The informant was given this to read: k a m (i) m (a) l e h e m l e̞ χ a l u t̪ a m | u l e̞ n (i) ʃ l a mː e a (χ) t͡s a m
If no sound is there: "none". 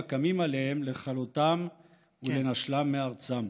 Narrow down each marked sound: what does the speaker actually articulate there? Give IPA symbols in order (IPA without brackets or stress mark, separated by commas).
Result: i, a, a, ʁ